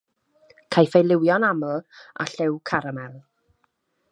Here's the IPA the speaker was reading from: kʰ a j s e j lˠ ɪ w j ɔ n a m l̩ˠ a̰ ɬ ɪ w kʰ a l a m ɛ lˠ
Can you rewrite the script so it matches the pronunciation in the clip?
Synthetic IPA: kʰ a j f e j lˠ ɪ w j ɔ n a m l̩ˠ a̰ ɬ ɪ w kʰ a ɾ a m ɛ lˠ